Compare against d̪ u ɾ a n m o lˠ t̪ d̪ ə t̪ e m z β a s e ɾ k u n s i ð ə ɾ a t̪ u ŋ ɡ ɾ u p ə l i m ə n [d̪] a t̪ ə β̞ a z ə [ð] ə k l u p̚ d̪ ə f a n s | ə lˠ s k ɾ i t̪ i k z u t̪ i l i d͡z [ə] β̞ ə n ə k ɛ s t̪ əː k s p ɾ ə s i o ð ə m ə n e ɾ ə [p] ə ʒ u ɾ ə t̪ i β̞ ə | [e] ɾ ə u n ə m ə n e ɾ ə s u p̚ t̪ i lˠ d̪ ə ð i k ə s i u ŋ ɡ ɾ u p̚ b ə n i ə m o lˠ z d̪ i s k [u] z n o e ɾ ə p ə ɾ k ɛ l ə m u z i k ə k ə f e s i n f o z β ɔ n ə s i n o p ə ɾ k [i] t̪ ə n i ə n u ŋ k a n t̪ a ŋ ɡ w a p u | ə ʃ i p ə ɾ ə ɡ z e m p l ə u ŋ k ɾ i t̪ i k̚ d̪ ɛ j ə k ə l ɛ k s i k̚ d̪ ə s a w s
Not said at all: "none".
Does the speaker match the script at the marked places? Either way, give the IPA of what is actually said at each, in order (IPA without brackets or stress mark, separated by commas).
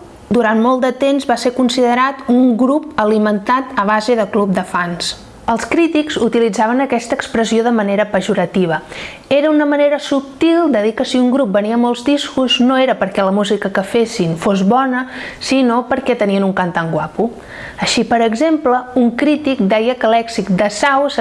t̪, ð, a, p, e, u, ɛ